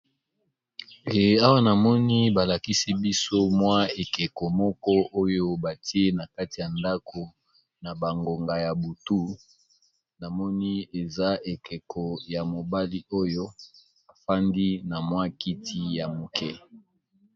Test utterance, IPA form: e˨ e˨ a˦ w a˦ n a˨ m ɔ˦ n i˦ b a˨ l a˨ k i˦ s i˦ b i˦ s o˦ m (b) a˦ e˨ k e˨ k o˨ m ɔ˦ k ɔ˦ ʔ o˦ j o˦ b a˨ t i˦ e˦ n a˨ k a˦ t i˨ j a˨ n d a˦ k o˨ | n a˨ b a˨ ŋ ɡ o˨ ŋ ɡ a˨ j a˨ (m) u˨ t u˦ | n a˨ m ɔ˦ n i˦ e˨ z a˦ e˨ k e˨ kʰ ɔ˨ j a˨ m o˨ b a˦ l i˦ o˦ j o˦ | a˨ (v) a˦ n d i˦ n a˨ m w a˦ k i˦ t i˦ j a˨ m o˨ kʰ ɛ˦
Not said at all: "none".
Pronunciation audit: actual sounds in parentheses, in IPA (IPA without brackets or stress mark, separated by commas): w, b, f